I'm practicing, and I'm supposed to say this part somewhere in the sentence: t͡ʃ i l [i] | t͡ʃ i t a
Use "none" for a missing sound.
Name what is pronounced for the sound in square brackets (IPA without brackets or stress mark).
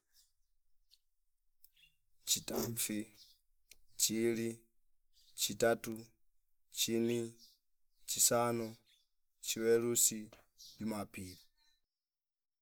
i